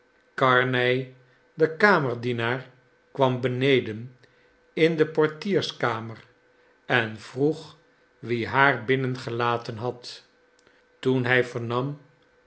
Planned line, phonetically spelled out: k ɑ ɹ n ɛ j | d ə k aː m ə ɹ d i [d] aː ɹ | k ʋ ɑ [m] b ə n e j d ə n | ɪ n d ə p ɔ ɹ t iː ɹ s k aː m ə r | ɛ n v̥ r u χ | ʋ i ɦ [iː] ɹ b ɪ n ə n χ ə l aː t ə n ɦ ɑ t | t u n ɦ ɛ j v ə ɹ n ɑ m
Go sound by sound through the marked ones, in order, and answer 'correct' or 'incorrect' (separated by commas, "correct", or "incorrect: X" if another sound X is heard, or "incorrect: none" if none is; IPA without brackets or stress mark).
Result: incorrect: n, correct, incorrect: aː